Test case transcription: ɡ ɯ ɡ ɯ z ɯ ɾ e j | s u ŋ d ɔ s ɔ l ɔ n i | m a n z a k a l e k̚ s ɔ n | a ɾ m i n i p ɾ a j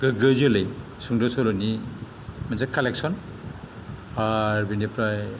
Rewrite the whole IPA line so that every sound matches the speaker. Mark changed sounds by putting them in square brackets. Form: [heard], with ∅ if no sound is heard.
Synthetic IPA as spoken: ɡ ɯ ɡ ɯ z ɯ [l] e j | s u ŋ d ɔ s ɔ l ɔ n i | m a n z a k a l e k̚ s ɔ n | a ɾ [b] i n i p ɾ a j